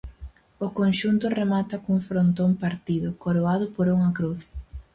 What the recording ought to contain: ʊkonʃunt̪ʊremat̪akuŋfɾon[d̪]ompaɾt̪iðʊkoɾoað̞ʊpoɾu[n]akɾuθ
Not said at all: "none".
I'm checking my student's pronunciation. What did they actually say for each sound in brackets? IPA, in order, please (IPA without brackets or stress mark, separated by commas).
t̪, ŋ